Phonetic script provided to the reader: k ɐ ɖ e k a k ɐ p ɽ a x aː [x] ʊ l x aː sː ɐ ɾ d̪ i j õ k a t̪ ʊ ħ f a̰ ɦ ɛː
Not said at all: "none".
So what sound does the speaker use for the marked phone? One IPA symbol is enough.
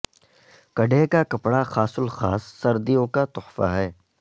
s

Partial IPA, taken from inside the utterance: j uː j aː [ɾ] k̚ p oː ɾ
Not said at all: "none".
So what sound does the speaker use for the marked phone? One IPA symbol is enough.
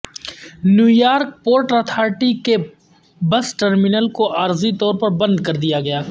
ɾ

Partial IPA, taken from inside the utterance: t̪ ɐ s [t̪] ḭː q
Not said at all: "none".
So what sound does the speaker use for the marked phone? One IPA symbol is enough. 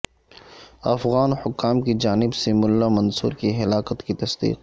d̪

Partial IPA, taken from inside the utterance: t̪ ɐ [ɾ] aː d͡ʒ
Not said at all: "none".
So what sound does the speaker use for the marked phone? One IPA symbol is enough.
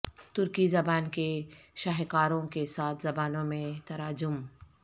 ɾ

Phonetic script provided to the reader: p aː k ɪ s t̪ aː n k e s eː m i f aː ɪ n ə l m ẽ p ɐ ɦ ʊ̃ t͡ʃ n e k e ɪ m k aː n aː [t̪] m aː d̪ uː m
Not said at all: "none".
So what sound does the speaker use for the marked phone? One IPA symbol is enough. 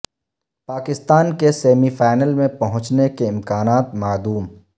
t̪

